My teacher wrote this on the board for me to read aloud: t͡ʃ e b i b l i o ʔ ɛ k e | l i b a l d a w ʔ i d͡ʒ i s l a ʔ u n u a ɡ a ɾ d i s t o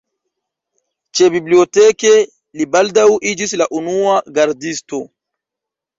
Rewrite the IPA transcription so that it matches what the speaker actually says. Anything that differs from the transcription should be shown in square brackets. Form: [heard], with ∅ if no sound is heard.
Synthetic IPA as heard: t͡ʃ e b i b l i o [t] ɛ k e | l i b a l d a w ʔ i d͡ʒ i s l a ʔ u n u a ɡ a ɾ d i s t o